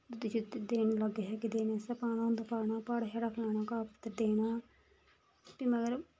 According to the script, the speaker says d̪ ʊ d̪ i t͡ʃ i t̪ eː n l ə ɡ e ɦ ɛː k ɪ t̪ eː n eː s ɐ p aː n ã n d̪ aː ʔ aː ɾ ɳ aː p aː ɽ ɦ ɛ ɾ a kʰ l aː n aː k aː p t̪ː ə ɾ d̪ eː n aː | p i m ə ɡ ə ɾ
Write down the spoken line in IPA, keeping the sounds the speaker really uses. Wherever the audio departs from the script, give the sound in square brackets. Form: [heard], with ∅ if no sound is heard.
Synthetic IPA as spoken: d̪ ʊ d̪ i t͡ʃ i [d̪] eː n l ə ɡ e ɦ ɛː k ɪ [d̪] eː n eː s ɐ p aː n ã n d̪ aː [p] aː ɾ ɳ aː p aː ɽ ɦ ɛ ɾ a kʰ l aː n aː k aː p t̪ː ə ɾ d̪ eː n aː | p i m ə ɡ ə ɾ